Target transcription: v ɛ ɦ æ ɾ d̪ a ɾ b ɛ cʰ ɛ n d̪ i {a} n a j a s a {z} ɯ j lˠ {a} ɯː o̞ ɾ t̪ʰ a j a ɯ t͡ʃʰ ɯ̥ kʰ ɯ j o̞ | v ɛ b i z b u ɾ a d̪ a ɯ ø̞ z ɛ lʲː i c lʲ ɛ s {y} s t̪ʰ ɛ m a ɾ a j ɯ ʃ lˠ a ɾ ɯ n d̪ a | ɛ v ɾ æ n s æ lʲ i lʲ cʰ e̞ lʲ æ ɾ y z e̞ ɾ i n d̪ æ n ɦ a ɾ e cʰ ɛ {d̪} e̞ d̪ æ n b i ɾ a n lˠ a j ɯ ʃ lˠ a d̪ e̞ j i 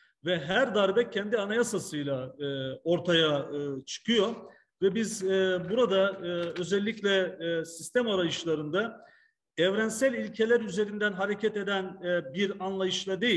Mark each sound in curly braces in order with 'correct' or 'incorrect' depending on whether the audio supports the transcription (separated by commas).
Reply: correct, incorrect, correct, incorrect, incorrect